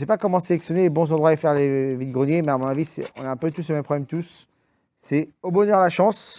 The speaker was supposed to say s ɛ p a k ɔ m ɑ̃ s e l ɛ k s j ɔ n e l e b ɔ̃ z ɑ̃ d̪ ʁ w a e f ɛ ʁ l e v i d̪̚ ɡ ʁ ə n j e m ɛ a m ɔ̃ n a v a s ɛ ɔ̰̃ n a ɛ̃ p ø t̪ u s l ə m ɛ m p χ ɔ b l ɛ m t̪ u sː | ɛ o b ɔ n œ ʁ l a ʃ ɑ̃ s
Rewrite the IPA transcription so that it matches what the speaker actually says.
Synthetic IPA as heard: s ɛ p a k ɔ m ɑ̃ s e l ɛ k s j ɔ n e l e b ɔ̃ z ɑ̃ d̪ ʁ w a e f ɛ ʁ l e v i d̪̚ ɡ ʁ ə n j e m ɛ a m ɔ̃ n a v i s ɛ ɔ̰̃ n a ɛ̃ p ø t̪ u s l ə m ɛ m p χ ɔ b l ɛ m t̪ u sː | ɛ o b ɔ n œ ʁ l a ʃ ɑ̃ s